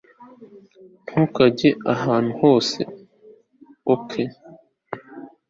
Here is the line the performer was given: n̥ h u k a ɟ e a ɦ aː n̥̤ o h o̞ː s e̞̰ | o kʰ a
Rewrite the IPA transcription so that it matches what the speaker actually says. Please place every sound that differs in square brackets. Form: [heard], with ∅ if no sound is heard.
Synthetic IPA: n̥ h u k a ɟ e a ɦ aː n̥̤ [u] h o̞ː s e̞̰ | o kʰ [e]